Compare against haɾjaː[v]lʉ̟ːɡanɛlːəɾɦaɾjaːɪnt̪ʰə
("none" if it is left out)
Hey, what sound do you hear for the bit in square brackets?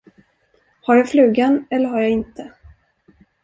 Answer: f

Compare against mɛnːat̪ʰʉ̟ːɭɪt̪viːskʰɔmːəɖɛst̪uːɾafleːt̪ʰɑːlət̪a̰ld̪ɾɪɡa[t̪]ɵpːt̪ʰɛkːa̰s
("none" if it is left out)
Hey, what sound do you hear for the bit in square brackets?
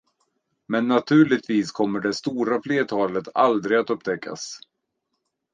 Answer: t̪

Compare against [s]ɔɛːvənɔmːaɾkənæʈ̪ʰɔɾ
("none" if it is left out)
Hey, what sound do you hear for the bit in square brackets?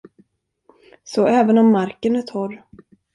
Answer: s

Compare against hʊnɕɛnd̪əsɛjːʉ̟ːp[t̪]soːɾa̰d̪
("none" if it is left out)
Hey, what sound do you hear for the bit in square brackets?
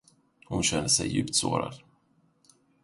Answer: t̪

